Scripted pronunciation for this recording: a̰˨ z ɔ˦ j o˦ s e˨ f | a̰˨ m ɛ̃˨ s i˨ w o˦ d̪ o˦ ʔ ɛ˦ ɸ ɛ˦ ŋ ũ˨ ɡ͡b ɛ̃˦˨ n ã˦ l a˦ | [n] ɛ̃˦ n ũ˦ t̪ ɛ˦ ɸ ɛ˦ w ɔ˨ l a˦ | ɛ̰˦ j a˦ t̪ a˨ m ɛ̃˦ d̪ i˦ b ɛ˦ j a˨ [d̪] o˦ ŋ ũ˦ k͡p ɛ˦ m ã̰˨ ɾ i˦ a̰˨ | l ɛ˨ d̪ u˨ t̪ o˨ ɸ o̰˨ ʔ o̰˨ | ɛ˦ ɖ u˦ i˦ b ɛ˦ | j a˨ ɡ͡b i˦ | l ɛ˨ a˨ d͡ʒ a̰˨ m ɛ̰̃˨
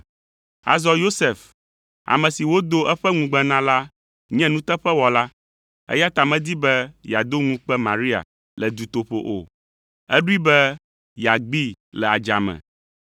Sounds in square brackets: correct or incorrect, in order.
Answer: incorrect: ɲ, correct

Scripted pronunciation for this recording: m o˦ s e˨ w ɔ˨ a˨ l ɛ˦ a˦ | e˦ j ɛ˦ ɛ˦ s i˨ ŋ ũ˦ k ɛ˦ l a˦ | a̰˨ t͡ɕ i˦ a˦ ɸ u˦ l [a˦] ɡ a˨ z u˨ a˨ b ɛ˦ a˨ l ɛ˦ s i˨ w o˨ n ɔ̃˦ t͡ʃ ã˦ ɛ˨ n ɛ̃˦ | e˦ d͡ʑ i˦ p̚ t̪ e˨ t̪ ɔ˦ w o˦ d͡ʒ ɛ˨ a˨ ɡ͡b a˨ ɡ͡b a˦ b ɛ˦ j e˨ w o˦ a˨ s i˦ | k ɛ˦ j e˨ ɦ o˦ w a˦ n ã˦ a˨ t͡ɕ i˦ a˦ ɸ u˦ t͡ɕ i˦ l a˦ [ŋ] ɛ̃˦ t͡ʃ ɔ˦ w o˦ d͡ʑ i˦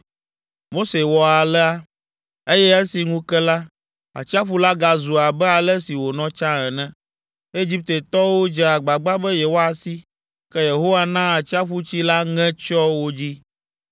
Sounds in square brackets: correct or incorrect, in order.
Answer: correct, correct

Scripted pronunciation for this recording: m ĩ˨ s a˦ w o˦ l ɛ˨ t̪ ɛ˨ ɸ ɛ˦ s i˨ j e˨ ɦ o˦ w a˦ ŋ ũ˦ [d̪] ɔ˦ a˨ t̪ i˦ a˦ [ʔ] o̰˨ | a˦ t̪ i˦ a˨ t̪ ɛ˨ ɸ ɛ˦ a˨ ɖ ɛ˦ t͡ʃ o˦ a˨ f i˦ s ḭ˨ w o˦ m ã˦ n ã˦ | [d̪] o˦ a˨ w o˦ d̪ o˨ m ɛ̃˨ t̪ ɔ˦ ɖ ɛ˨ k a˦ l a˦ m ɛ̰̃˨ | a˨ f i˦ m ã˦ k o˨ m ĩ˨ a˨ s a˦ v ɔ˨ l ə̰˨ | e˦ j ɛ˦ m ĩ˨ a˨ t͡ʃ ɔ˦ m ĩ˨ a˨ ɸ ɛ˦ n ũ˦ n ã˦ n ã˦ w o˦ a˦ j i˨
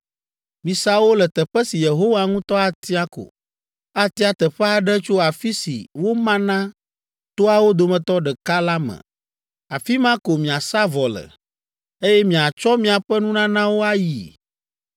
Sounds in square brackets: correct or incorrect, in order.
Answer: incorrect: t̪, incorrect: k, incorrect: t̪

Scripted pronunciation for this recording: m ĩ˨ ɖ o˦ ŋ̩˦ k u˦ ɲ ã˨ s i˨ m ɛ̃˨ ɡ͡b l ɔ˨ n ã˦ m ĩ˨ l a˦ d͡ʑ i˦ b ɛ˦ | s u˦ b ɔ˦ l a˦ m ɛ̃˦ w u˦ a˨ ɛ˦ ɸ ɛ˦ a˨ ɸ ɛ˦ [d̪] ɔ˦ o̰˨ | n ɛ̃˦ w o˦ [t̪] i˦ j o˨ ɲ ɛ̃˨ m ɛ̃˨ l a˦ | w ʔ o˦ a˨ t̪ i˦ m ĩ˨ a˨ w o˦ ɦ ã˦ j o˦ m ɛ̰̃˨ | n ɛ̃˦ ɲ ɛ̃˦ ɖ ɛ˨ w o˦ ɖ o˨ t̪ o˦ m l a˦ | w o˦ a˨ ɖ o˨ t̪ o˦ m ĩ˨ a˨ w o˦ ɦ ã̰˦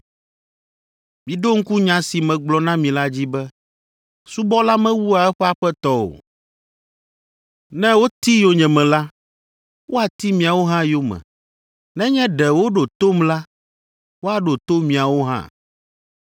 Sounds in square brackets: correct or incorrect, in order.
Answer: incorrect: t̪, correct

